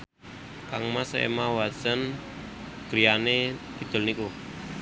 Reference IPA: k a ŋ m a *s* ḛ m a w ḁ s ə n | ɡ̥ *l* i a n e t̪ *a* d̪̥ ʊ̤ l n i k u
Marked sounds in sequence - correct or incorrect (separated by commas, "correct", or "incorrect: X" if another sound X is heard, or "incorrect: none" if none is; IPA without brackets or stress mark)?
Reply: correct, incorrect: ɾ, incorrect: i